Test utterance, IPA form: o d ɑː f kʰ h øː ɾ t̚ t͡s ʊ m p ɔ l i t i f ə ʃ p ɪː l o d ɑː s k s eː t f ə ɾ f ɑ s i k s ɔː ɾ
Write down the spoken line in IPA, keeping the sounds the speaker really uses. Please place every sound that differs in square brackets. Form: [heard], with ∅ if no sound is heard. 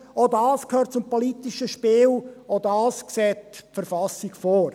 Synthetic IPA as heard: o d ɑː [s] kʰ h øː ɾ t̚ t͡s ʊ m p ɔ l i t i [ʃ] ə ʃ p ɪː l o d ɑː s k s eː t f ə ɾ f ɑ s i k [f] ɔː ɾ